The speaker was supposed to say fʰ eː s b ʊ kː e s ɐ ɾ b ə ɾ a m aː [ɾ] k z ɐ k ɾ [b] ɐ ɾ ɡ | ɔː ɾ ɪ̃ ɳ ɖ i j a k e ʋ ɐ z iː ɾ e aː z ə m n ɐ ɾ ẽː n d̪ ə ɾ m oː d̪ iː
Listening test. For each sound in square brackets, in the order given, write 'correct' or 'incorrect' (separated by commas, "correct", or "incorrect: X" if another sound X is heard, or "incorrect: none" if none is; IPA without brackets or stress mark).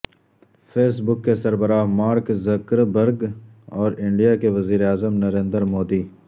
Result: correct, correct